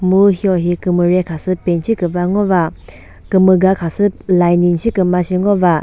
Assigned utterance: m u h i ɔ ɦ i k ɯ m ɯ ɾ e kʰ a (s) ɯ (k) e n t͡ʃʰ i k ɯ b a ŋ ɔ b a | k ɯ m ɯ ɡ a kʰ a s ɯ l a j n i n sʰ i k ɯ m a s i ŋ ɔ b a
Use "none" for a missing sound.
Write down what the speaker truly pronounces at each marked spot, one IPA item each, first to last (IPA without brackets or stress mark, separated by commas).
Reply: s, p